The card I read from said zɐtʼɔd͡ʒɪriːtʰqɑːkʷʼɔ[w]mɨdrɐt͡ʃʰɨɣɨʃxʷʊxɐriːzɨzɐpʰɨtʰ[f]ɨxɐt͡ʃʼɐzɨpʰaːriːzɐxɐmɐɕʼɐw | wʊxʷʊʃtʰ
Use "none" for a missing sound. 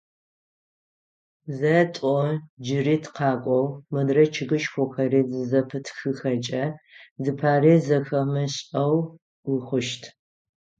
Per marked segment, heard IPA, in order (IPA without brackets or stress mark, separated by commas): w, x